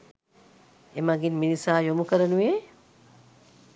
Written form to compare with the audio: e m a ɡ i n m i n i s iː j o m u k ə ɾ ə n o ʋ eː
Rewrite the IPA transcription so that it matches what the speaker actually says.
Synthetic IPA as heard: e m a ɡ i n m i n i s aː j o m u k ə ɾ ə n u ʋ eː